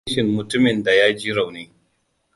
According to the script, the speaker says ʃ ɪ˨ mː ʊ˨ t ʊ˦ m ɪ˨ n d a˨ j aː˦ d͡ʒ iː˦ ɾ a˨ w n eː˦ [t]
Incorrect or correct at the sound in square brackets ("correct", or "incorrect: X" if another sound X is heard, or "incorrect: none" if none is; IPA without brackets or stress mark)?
incorrect: none